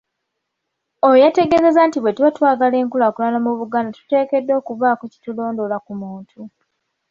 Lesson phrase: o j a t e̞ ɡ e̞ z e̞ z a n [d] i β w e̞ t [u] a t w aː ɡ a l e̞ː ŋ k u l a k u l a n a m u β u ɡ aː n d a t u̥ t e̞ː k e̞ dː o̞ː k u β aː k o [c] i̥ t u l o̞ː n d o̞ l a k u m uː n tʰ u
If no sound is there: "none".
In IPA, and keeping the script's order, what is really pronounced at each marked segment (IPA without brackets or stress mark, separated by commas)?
t, w, c